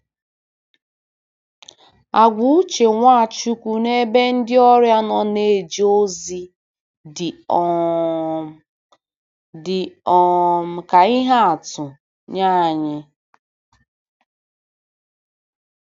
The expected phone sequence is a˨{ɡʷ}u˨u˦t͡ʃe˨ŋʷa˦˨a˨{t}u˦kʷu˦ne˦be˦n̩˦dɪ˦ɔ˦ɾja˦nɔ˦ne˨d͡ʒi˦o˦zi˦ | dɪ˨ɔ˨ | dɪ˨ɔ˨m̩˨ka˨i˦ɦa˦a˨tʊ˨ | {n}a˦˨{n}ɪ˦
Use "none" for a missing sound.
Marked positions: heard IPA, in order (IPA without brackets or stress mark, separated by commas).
ɡʷ, t͡ʃ, ɲ, ɲ